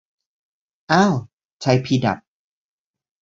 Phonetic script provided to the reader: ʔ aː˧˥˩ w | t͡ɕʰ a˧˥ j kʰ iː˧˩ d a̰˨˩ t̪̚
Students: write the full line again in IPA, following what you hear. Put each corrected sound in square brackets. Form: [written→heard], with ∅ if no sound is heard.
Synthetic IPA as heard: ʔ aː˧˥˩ w | t͡ɕʰ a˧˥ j [kʰ→pʰ] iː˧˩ d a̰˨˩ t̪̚